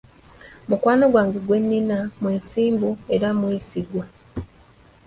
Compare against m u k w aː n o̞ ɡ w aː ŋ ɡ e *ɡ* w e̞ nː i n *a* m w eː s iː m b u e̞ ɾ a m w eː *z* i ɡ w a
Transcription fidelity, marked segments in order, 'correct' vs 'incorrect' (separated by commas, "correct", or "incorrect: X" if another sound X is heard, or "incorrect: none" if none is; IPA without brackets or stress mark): correct, correct, incorrect: s